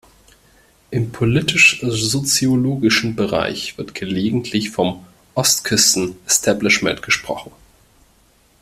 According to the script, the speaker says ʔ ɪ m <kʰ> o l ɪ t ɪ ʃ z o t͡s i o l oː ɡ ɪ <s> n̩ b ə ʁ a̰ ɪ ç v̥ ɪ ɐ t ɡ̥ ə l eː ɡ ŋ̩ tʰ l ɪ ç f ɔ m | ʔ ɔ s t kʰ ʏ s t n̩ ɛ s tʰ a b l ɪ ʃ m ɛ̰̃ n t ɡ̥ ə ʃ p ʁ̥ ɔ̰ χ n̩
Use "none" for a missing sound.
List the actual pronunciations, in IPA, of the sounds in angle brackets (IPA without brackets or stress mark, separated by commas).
pʰ, ʃ